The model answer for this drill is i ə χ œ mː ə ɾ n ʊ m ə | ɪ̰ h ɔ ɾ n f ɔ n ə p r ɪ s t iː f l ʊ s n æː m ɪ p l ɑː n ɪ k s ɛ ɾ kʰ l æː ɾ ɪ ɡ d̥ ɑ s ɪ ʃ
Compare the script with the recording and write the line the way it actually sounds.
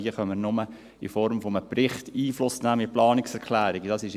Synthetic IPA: i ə χ œ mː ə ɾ n ʊ m ə | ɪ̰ f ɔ ɾ m f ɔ m ə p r ɪ χ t iː f l ʊ s n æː m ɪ p l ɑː n ɪ k s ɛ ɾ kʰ l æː ɾ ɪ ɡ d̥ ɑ s ɪ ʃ